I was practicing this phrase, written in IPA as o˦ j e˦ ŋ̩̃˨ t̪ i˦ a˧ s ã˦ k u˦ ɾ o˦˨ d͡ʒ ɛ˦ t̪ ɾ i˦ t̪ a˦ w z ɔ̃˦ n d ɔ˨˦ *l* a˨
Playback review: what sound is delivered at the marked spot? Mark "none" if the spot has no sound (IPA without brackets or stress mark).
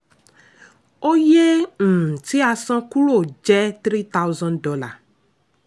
l